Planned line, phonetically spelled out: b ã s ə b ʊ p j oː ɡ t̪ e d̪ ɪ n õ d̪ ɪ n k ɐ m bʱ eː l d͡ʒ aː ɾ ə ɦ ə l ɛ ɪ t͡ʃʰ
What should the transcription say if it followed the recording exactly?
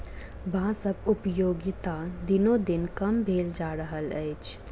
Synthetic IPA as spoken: b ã s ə b ʊ p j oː ɡ t̪ a d̪ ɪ n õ d̪ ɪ n k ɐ m bʱ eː l d͡ʒ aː ɾ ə ɦ ə l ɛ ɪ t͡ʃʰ